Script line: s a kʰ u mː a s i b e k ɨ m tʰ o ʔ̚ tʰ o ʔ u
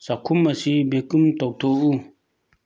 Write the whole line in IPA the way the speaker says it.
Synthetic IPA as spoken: s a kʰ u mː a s i b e k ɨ m t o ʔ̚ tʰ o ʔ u